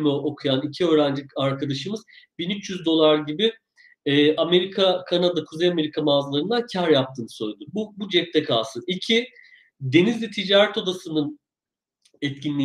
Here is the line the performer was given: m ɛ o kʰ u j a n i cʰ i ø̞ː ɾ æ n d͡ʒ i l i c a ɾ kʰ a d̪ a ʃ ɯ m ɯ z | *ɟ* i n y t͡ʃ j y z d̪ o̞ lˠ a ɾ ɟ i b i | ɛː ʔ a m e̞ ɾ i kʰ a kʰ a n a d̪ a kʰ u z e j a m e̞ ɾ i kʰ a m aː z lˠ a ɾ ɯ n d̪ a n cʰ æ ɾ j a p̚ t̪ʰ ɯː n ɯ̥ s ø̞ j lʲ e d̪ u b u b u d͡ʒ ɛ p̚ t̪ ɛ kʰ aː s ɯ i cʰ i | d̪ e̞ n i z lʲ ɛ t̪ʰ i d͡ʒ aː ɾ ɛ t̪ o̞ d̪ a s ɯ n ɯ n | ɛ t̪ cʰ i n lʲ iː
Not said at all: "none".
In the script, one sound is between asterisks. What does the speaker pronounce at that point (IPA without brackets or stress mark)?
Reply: b